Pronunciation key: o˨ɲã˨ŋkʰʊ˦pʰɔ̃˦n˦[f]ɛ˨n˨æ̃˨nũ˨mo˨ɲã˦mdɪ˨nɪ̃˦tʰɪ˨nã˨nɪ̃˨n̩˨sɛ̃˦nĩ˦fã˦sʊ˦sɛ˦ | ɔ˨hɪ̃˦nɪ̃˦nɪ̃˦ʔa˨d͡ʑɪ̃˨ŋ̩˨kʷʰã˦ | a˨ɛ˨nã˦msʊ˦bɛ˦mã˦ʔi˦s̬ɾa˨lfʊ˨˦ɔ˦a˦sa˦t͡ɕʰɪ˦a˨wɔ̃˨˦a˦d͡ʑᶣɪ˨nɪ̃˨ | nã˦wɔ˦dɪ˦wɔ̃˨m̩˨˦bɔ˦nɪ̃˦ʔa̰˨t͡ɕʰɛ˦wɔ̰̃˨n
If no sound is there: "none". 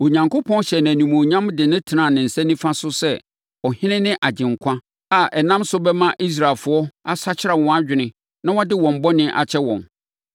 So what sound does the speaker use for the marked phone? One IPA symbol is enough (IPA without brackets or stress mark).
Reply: ɕ